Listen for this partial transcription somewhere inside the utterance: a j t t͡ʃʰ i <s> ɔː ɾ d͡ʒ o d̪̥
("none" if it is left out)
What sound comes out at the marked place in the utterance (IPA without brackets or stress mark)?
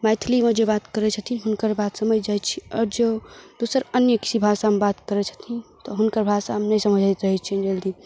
none